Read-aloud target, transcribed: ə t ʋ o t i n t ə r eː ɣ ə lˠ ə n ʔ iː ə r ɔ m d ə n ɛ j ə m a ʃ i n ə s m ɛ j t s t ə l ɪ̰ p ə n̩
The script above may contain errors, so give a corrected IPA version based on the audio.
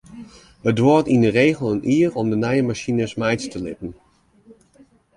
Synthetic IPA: ə d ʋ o t i n d ə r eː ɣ ə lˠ ə n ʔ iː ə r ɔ m d ə n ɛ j ə m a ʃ i n ə s m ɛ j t s t ə l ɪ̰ p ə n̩